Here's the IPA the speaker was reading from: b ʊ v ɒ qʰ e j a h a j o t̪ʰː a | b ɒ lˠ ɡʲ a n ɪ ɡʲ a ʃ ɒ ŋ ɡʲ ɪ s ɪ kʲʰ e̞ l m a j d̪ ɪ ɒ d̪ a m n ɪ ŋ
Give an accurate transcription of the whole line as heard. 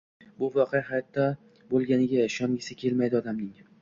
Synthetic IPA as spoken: b ʊ v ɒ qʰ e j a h a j ɒ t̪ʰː a | b o lˠ ɡʲ a n ɪ ɡʲ a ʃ ɒ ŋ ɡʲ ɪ s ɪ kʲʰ e̞ l m a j d̪ ɪ ɒ d̪ a m n ɪ ŋ